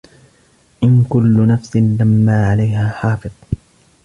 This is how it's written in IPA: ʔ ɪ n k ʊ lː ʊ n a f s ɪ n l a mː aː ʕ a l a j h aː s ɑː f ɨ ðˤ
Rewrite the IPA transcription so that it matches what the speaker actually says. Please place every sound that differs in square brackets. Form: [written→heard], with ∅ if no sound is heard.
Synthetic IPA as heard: ʔ ɪ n k ʊ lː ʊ n a f s ɪ n l a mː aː ʕ a l a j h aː [s→ħ] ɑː f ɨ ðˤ